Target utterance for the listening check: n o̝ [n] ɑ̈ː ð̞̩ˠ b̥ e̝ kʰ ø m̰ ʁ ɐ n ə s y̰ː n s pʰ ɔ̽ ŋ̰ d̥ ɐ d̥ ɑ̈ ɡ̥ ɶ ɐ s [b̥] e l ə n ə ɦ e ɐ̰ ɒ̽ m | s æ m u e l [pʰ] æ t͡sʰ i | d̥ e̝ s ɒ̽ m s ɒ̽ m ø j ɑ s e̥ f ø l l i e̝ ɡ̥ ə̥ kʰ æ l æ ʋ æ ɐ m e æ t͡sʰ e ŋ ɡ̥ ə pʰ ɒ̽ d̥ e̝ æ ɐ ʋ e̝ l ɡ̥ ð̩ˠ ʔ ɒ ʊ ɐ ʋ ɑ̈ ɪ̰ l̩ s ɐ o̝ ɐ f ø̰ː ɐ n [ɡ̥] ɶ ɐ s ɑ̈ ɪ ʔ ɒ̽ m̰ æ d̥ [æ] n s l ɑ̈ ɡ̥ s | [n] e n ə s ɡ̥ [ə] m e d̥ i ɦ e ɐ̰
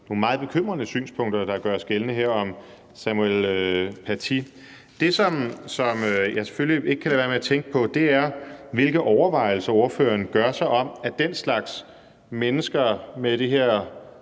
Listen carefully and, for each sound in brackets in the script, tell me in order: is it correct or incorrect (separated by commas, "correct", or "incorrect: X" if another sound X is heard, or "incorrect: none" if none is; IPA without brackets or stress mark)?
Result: incorrect: m, incorrect: ɡ̥, correct, correct, incorrect: e, incorrect: m, incorrect: ɐ